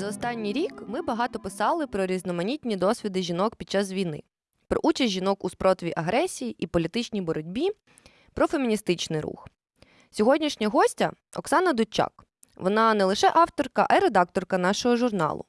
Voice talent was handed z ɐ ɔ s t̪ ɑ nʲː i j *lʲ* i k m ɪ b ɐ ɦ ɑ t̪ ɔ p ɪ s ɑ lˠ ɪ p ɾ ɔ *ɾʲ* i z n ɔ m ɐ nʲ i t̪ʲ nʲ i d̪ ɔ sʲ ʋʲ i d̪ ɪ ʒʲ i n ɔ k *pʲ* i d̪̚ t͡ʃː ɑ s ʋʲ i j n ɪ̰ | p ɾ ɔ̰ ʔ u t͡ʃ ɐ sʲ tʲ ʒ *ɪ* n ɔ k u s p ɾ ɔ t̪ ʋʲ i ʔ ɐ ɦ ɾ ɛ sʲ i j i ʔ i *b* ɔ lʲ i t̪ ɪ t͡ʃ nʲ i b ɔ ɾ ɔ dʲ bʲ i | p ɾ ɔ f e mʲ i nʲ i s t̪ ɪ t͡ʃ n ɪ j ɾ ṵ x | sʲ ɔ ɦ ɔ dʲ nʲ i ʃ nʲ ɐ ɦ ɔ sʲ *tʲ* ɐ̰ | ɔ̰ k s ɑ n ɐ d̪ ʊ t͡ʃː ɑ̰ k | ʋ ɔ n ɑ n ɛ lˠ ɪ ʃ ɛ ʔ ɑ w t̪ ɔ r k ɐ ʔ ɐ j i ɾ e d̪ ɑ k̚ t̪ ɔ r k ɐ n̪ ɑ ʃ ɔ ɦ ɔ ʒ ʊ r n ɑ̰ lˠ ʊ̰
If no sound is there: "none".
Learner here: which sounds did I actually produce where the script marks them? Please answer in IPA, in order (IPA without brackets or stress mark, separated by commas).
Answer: ɾʲ, ɾʲ, pʲ, i, p, tʲ